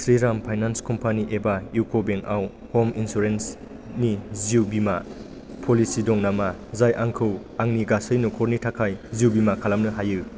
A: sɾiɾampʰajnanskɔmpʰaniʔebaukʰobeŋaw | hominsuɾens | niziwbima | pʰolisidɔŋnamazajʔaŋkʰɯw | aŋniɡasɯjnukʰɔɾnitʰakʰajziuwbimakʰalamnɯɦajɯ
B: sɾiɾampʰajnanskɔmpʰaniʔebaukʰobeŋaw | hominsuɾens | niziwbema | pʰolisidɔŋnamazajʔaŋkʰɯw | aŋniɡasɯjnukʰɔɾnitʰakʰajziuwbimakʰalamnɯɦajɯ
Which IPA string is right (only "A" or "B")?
A